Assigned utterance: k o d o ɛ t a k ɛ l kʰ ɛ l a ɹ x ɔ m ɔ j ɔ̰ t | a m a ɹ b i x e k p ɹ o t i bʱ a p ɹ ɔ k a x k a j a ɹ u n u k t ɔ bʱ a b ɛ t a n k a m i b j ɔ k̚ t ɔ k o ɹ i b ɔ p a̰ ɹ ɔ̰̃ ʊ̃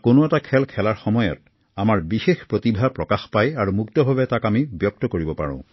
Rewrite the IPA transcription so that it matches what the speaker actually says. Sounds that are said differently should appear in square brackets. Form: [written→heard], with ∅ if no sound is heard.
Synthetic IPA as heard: k o [d→n] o ɛ t a [k→kʰ] ɛ l kʰ ɛ l a ɹ x ɔ m ɔ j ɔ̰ t | a m a ɹ b i x e [k→x] p ɹ o t i bʱ a p ɹ ɔ k a x [k→p] a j a ɹ u [n→m] u k t ɔ bʱ a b ɛ t a [n→∅] k a m i b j ɔ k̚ t ɔ k o ɹ i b ɔ p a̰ ɹ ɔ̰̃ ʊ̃

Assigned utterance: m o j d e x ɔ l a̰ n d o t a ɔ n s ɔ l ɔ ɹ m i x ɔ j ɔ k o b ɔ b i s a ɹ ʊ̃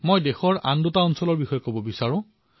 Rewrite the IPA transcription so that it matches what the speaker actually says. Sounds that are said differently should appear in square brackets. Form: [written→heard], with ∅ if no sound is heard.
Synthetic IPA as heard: m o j d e x ɔ [l→ɹ] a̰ n d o t a ɔ n s ɔ l ɔ ɹ [m→b] i x ɔ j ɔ k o b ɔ b i s a ɹ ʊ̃

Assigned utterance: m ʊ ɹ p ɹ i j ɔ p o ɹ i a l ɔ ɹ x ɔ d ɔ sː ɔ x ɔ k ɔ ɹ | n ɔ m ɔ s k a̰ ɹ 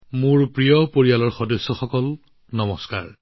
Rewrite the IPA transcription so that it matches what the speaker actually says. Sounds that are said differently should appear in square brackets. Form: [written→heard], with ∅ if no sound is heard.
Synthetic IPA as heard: m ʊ ɹ p ɹ i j ɔ p o ɹ i a l ɔ ɹ x ɔ d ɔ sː ɔ x ɔ k ɔ [ɹ→l] | n ɔ m ɔ s k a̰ ɹ

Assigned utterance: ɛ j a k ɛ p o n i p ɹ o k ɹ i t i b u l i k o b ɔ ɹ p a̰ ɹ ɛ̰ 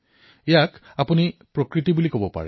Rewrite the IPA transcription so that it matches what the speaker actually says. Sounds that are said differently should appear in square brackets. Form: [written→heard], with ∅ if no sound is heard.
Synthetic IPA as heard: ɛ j a k [ɛ→a] p [o→u] n i p ɹ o k ɹ i t i b u l i k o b ɔ [ɹ→∅] p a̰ ɹ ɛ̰

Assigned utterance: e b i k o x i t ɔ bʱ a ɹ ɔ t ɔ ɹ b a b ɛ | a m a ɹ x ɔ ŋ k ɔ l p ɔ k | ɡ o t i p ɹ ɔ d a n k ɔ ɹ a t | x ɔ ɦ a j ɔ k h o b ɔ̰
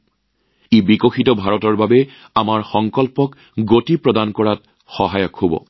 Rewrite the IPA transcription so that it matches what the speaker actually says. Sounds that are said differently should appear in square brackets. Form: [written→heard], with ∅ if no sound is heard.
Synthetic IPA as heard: e b i k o x i t ɔ bʱ a ɹ ɔ t ɔ ɹ b a b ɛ | a m a ɹ x ɔ ŋ k ɔ l p ɔ k | ɡ o t i p ɹ ɔ d a n k ɔ ɹ a t | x ɔ ɦ a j ɔ k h o b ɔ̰

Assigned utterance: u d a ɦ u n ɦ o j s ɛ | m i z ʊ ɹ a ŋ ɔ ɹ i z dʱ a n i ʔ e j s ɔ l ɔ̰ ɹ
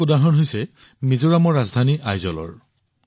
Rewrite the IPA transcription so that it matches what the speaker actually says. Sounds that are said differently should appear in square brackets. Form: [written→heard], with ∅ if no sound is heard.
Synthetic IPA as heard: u d a ɦ [u→ɔ] n ɦ o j s ɛ | m i z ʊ ɹ a [ŋ→m] ɔ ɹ [i→a] z dʱ a n i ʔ [e→a] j [s→z] ɔ l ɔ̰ ɹ

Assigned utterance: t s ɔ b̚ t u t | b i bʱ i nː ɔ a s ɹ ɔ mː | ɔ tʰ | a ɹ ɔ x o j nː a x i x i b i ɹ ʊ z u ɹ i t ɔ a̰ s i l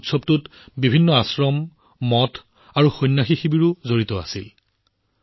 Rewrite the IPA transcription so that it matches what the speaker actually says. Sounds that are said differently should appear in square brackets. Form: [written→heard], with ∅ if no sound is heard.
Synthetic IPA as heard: t s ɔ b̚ t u t | b i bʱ i nː ɔ a s ɹ ɔ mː | ɔ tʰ | a ɹ [ɔ→u] x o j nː a x i x i b i ɹ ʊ z [u→o] ɹ i t ɔ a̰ s i l

